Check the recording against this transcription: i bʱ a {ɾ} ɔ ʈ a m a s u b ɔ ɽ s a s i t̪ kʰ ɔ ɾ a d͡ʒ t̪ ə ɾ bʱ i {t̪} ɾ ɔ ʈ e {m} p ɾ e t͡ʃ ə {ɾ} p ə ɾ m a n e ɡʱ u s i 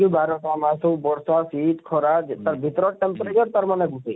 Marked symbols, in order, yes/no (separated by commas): yes, yes, yes, yes